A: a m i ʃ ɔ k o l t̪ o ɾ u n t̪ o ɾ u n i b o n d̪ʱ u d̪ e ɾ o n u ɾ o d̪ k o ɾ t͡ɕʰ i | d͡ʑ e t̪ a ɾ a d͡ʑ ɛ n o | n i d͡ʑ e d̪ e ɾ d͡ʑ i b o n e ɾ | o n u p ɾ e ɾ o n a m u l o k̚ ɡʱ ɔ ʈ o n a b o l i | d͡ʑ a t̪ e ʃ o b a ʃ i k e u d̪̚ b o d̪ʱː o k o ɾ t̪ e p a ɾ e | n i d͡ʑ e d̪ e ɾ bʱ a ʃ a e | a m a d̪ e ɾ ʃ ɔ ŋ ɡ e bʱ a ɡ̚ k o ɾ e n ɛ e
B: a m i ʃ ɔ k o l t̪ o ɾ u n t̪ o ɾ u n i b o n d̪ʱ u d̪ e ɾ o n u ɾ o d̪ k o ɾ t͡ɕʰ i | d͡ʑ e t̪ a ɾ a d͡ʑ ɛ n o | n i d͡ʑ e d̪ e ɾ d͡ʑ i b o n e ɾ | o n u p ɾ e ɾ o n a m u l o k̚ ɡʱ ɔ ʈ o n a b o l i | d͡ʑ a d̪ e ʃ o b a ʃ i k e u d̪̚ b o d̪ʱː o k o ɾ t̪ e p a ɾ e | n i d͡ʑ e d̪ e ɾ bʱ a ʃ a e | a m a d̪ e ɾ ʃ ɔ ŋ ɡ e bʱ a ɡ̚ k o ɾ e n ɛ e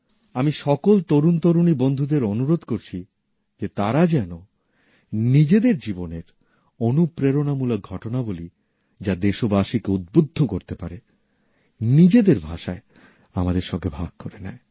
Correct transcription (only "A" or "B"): B